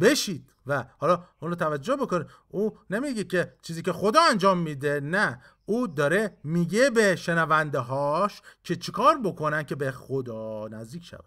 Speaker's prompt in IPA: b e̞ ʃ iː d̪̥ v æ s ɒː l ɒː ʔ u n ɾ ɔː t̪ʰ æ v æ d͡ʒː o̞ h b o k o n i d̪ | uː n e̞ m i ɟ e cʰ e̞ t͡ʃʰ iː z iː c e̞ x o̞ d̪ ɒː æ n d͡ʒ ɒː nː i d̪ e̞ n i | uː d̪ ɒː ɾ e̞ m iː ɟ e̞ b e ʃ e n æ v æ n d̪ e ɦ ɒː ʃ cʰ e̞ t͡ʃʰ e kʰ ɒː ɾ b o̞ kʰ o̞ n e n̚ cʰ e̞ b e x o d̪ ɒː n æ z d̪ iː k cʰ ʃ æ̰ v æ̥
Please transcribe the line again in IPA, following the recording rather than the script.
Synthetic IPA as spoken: b e̞ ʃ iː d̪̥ v æ h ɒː l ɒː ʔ u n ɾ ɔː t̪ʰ æ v æ d͡ʒː o̞ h b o k o n i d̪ | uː n e̞ m i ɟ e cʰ e̞ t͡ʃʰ iː z iː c e̞ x o̞ d̪ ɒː æ n d͡ʒ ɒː mː i d̪ e̞ n æ | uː d̪ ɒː ɾ e̞ m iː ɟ e̞ b e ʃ e n æ v æ n d̪ e ɦ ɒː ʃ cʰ e̞ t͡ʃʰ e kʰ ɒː ɾ b o̞ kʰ o̞ n æ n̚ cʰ e̞ b e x o d̪ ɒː n æ z d̪ iː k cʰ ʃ æ̰ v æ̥